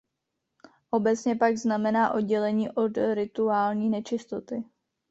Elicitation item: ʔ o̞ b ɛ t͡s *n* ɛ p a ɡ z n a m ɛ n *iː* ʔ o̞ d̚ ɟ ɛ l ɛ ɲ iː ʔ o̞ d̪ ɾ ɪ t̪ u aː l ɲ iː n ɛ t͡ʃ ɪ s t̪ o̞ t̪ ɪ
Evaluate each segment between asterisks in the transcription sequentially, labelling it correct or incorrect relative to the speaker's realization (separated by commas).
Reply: incorrect, incorrect